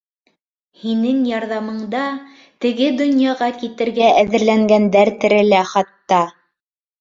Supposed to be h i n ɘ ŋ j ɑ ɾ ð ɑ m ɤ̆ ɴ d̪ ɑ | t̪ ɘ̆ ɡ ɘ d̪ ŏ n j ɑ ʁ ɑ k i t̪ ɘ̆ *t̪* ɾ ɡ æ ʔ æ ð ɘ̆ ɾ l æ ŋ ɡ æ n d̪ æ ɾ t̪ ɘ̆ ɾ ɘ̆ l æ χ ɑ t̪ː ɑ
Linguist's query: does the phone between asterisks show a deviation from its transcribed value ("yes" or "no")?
yes